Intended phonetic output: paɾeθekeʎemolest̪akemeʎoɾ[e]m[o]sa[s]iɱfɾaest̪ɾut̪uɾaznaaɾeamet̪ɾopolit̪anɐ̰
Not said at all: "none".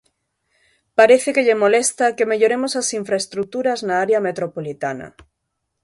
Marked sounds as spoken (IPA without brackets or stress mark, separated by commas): e, o, s